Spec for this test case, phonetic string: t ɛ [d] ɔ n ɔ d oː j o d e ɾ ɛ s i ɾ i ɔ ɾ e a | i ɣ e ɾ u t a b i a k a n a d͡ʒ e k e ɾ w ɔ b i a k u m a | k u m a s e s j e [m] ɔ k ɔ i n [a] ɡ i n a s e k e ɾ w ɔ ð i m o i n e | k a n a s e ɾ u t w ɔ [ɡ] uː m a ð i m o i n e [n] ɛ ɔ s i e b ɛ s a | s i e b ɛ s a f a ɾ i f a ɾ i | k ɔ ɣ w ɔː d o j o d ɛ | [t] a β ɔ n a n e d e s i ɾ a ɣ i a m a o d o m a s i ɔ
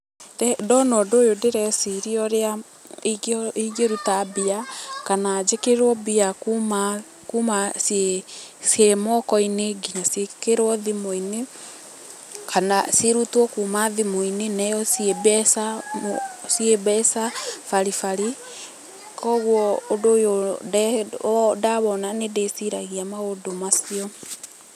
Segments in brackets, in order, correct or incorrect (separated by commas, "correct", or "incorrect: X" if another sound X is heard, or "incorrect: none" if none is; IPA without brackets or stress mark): correct, correct, incorrect: e, incorrect: k, correct, incorrect: d